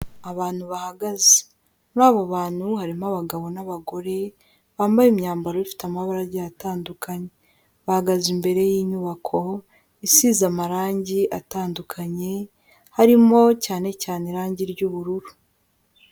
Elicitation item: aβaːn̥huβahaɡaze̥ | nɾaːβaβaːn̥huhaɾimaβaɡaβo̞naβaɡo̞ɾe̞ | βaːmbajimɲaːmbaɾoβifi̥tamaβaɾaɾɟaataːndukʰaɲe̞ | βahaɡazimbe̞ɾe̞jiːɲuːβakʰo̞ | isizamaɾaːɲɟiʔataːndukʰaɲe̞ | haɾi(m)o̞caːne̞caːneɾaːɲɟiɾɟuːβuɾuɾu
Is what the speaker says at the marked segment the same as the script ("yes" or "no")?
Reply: yes